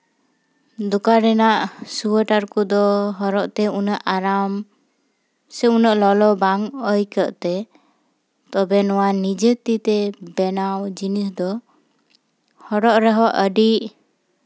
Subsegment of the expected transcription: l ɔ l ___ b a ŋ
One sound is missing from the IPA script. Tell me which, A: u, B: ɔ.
B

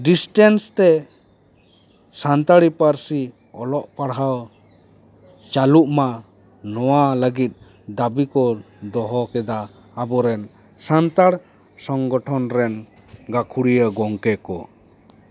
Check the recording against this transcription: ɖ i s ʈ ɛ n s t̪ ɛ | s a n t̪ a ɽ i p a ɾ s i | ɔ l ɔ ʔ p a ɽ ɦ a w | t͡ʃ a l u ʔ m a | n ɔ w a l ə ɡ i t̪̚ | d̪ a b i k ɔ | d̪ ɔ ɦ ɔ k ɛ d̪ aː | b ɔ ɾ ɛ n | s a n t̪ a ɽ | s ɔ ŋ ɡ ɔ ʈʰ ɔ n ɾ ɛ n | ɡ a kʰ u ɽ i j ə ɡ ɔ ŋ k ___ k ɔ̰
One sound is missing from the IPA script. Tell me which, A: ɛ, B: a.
A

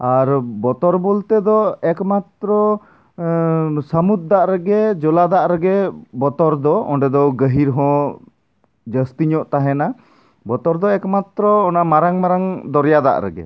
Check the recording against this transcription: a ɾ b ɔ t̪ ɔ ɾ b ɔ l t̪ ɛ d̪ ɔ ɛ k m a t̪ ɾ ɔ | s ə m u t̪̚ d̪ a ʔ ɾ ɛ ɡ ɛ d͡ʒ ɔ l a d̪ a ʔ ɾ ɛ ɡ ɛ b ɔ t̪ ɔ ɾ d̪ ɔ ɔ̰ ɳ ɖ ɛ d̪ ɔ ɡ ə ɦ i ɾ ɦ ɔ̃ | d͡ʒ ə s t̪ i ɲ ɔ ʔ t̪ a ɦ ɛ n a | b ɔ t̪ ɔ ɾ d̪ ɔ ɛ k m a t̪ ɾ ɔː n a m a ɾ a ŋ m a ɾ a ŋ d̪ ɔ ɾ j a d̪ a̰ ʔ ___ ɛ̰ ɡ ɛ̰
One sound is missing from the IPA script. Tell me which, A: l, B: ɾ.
B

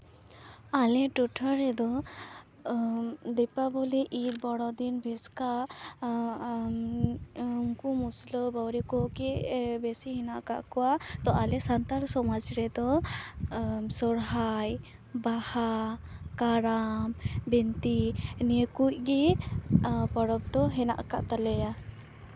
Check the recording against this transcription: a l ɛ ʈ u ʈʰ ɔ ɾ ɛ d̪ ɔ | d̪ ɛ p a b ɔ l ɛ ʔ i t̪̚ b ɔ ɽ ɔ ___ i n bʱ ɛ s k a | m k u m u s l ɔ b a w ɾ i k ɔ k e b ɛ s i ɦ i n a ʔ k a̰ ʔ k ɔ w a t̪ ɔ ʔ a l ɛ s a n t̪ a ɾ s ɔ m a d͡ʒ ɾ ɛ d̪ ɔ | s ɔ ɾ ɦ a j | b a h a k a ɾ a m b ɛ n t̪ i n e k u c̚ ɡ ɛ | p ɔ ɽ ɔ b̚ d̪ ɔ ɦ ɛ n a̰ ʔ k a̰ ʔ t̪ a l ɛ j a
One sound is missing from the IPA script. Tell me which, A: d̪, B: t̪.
A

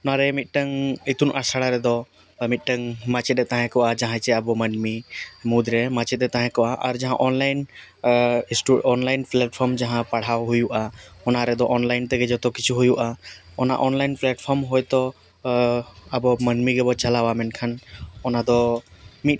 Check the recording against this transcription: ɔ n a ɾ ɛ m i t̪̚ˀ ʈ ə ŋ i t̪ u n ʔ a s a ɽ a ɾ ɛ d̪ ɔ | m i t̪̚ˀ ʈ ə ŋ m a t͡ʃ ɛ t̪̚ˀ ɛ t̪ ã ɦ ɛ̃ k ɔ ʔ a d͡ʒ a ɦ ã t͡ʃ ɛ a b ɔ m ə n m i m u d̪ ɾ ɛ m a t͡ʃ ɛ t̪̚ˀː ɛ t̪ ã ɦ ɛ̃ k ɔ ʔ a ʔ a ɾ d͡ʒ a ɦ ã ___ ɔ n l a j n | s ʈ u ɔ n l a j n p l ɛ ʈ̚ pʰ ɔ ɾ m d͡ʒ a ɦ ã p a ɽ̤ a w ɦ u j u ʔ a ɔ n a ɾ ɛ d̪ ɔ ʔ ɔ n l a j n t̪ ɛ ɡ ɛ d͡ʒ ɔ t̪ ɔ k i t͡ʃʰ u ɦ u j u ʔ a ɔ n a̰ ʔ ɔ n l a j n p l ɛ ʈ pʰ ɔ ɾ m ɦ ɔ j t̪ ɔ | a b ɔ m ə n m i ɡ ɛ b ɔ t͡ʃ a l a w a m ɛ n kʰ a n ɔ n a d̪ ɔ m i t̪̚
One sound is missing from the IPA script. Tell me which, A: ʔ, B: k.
A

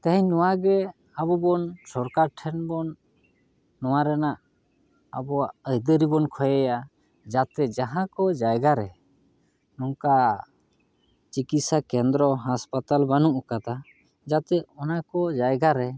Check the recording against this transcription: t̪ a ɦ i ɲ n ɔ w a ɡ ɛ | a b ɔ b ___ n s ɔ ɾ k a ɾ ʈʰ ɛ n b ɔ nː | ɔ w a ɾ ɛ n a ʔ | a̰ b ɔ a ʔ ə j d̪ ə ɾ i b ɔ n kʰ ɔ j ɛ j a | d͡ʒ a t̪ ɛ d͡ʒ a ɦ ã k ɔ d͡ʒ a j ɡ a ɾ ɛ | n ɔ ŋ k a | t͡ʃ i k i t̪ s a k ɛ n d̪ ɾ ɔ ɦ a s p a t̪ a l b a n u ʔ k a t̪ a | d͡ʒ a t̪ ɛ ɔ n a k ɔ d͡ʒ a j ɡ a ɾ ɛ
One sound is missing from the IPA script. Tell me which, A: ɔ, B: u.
A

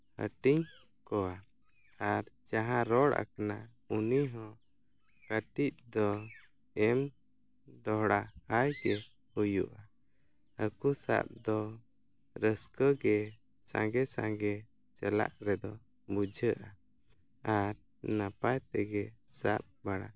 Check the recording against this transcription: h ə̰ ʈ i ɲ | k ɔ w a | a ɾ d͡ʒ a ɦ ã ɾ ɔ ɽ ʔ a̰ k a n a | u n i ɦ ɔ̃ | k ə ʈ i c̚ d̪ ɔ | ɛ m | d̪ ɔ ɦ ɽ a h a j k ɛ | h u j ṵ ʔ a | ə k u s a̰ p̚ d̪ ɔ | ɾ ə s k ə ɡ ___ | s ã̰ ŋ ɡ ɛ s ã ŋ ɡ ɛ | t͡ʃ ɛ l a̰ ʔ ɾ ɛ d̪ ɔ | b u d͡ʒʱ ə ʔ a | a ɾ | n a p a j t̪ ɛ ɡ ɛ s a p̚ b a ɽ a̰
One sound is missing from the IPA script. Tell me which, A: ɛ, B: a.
A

